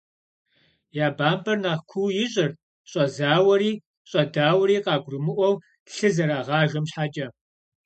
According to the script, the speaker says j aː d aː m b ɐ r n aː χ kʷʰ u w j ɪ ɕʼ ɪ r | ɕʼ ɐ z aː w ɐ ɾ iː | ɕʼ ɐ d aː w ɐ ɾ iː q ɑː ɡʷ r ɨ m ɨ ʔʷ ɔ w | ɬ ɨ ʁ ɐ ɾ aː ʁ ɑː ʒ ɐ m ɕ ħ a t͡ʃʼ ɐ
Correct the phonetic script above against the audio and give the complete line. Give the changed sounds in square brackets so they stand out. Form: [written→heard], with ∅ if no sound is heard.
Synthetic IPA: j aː [d→b] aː m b ɐ r n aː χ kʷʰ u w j ɪ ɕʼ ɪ r | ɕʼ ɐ z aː w ɐ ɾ iː | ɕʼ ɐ d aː w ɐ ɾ iː q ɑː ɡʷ r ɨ m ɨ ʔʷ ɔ w | ɬ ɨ [ʁ→z] ɐ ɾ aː ʁ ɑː ʒ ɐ m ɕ ħ a t͡ʃʼ ɐ